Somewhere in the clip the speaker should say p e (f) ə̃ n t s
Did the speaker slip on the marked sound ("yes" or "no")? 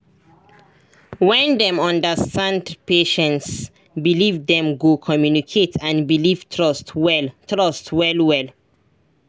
yes